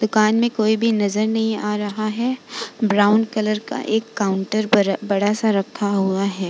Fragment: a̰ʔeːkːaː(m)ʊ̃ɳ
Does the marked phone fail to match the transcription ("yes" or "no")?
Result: yes